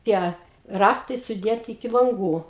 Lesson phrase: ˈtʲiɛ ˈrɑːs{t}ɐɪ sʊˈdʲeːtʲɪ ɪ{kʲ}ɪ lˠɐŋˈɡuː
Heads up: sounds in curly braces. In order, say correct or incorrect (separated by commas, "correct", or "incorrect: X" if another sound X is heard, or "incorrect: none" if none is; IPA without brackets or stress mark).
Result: correct, correct